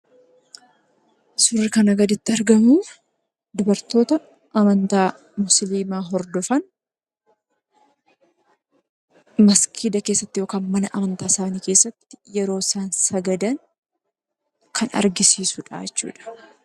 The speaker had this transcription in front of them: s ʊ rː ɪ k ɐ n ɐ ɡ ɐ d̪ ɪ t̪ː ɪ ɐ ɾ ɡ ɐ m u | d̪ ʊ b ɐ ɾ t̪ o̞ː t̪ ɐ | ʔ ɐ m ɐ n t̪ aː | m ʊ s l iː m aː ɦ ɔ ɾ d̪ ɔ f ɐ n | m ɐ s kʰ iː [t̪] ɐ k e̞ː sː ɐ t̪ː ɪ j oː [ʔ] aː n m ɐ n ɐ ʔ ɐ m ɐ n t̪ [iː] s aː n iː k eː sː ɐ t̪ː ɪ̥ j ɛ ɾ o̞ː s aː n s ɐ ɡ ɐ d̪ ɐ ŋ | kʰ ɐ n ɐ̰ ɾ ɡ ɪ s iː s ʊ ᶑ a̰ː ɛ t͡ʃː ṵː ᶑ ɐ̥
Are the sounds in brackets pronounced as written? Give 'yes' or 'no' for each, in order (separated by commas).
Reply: no, no, no